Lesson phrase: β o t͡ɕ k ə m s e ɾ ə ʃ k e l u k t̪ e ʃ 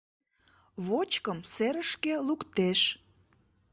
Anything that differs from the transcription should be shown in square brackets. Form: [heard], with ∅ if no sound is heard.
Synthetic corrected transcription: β o t͡ɕ k ə m s e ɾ ə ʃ k e l u k t̪ e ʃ